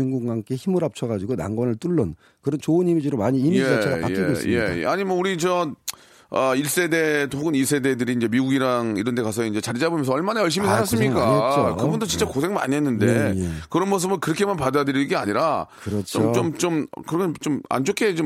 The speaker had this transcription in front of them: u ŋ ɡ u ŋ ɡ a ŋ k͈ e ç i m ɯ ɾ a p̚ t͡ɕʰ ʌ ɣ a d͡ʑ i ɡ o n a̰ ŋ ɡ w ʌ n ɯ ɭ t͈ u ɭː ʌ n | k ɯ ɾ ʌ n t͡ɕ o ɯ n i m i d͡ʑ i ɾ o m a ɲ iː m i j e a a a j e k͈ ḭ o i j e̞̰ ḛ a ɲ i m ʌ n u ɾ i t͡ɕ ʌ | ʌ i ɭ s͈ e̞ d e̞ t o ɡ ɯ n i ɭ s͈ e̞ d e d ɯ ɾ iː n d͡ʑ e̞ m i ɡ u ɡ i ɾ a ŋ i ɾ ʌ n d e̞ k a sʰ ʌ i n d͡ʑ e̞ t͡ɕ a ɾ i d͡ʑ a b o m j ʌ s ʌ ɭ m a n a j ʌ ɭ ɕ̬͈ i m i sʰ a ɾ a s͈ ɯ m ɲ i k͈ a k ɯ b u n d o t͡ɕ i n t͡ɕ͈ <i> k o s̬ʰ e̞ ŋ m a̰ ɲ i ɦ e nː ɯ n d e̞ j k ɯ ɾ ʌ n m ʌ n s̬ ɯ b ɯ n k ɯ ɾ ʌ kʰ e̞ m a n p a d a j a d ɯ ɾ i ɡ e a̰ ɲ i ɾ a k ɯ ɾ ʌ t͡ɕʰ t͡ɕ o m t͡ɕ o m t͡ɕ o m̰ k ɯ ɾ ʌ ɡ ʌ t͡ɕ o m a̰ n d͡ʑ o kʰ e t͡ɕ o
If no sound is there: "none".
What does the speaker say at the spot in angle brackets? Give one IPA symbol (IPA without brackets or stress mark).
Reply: a